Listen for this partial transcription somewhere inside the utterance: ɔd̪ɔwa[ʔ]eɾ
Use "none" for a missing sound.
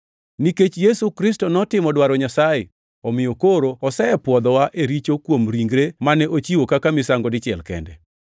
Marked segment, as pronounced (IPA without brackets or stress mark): ʔ